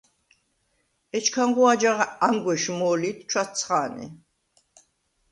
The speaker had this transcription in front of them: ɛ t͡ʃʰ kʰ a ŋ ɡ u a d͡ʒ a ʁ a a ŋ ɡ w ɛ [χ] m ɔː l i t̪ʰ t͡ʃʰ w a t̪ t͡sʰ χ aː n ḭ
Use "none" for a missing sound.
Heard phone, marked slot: ʃ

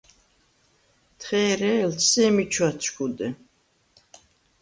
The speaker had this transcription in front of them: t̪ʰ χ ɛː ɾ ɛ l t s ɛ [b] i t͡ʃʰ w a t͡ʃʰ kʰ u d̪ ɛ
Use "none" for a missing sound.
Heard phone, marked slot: m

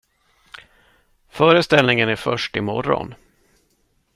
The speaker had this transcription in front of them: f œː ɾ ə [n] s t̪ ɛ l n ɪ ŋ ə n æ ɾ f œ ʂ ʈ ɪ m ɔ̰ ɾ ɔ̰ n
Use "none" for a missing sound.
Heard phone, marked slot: none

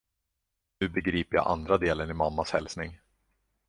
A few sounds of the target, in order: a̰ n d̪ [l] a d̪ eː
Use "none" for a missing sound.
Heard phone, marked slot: ɾ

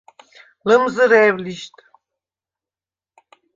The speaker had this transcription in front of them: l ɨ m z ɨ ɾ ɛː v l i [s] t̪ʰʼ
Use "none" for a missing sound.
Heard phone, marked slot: ʃ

